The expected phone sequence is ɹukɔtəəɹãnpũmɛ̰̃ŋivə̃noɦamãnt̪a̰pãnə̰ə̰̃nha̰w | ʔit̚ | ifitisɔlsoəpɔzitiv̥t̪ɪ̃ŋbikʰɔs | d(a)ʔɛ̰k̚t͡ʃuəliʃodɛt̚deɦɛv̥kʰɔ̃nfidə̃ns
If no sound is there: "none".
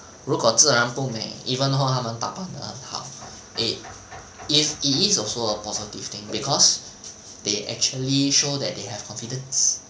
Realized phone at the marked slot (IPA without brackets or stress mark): e